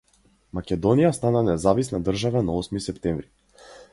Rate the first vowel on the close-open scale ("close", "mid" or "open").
open